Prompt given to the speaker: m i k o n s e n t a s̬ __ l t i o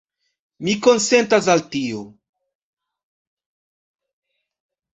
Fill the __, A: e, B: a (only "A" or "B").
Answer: B